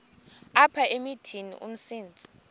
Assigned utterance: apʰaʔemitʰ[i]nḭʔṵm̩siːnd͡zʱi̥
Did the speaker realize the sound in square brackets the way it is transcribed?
yes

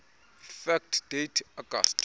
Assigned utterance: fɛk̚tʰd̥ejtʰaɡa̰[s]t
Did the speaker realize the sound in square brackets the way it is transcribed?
yes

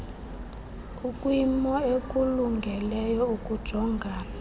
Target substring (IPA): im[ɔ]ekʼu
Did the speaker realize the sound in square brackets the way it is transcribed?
yes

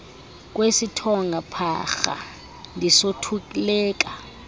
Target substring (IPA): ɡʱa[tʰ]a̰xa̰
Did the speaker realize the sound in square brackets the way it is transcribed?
no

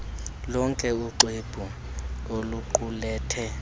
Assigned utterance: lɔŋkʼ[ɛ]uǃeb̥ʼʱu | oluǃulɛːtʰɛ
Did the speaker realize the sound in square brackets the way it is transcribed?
yes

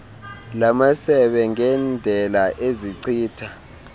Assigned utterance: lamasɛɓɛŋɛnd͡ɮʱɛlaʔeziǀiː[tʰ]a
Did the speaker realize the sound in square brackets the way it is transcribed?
yes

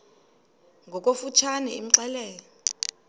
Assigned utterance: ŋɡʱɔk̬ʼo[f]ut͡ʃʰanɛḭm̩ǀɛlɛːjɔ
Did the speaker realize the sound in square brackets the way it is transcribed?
yes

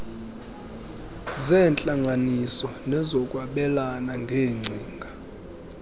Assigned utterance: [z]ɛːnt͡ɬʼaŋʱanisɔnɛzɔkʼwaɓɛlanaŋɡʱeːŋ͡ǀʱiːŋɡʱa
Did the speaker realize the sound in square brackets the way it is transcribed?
yes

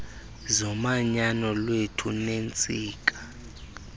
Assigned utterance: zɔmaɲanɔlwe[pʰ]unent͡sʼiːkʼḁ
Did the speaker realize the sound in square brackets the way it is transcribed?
no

